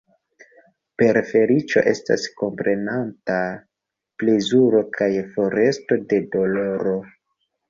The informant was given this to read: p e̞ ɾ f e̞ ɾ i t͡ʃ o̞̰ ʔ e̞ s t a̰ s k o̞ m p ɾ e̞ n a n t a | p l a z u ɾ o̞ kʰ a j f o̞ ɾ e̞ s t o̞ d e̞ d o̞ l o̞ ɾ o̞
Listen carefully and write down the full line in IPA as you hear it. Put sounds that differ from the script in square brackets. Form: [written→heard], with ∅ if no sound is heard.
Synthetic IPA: p e̞ ɾ f e̞ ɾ i t͡ʃ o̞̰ ʔ e̞ s t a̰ s k o̞ m p ɾ e̞ n a n t a | p l [a→e] z u ɾ o̞ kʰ a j f o̞ ɾ e̞ s t o̞ d e̞ d o̞ l o̞ ɾ o̞